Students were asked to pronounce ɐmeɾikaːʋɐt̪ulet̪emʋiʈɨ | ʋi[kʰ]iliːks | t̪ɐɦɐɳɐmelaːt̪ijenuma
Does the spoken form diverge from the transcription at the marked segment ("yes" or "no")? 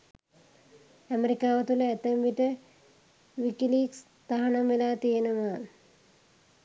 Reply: yes